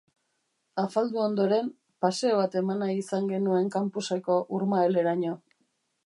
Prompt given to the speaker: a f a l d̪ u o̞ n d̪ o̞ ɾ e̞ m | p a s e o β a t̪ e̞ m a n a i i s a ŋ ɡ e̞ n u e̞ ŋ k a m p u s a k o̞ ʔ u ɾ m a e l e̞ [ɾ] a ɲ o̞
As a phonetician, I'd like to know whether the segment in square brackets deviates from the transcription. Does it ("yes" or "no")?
no